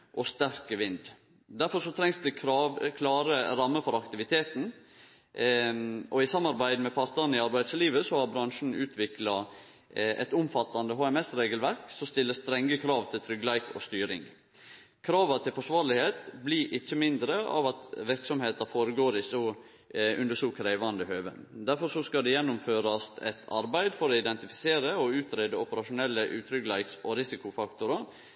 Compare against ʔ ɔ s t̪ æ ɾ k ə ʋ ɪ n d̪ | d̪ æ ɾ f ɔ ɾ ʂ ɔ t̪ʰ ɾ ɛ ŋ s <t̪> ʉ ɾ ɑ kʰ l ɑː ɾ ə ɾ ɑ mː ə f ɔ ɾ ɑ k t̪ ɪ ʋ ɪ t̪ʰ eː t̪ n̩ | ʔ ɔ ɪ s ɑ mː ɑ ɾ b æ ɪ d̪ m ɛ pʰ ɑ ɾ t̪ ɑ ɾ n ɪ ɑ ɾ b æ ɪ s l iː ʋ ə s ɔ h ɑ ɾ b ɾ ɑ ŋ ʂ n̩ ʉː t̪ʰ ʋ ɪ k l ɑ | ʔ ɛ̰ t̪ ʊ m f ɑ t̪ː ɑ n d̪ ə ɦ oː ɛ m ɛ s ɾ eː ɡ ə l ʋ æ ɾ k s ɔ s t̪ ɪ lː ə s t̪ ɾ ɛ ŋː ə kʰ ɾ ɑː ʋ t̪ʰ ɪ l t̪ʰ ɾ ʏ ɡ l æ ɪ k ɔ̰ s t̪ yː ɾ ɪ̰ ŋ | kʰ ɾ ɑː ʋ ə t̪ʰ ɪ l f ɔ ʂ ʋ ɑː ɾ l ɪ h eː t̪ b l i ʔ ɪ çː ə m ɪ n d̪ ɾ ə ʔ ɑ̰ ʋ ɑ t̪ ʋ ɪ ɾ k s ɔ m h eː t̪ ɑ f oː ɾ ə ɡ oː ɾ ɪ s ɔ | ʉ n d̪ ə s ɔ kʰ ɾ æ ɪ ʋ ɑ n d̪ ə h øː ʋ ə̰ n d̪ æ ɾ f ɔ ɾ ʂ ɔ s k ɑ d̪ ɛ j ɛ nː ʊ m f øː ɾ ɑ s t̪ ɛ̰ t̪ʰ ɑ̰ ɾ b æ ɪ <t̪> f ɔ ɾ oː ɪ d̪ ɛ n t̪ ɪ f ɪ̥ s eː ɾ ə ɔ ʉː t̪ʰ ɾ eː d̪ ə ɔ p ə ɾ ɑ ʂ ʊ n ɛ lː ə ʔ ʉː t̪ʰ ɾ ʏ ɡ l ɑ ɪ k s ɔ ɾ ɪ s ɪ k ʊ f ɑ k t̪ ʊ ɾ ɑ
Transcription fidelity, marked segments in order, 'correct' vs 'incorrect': incorrect: d̪, incorrect: d̪

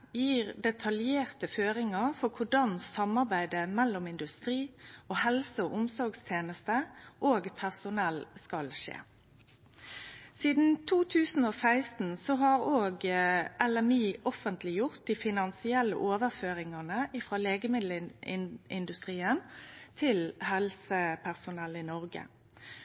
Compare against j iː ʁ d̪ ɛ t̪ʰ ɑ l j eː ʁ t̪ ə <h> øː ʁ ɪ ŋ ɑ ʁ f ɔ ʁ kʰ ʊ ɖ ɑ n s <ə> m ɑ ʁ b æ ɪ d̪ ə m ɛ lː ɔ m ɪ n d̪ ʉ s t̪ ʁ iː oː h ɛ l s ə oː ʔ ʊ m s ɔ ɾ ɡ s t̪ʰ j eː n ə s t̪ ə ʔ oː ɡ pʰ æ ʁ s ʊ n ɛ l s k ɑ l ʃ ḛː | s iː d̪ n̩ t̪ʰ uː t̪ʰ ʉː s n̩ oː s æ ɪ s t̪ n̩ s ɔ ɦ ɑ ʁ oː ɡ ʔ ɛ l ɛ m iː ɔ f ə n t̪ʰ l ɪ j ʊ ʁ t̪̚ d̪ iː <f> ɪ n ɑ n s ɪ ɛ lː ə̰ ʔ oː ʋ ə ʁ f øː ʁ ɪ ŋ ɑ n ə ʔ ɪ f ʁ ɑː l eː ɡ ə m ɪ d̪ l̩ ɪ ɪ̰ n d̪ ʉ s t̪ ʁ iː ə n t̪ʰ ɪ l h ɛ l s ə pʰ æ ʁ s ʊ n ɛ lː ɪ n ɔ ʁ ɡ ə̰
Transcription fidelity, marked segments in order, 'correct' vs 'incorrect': incorrect: f, incorrect: ɑ, correct

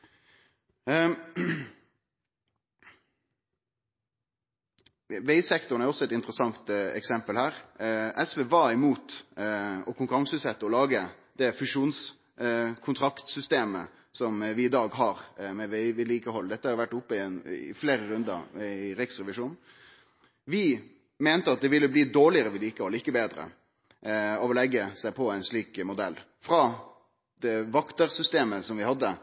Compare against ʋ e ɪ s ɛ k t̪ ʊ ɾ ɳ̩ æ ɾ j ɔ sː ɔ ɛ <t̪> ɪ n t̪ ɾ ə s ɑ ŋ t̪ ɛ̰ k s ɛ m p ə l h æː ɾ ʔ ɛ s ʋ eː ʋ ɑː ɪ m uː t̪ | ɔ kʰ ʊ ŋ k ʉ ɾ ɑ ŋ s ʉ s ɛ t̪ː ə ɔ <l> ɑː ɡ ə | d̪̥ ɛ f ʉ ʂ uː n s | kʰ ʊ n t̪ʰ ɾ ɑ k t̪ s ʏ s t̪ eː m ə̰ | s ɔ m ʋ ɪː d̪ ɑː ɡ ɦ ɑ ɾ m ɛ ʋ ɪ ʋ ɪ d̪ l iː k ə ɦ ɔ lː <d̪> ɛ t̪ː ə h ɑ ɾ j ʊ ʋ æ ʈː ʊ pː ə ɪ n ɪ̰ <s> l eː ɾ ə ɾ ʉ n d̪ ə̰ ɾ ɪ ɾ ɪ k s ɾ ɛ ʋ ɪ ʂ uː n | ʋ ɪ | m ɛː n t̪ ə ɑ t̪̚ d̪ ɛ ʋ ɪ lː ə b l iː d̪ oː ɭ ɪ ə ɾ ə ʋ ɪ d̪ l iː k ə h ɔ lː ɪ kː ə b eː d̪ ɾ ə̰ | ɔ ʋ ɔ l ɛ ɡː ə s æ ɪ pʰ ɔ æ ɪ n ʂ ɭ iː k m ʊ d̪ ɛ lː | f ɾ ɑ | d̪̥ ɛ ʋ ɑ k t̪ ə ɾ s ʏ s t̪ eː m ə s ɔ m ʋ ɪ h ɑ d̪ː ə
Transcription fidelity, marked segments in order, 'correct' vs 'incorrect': correct, correct, correct, incorrect: f

